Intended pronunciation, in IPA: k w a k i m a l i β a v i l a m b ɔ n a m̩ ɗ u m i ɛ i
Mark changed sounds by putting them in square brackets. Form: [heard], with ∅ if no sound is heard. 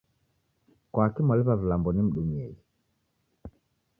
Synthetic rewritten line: k w a k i m a l i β a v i l a m b ɔ n [i] m̩ ɗ u m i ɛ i